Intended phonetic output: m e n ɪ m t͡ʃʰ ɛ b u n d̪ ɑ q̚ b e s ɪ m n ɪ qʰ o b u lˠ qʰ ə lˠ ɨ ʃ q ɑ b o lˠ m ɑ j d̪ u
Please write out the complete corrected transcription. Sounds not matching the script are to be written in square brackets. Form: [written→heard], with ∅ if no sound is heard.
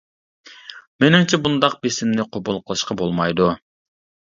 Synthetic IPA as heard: m e n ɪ m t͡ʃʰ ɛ b u n d̪ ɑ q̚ b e s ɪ m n ɪ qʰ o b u lˠ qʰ ə lˠ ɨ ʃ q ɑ b o lˠ m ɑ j d̪ u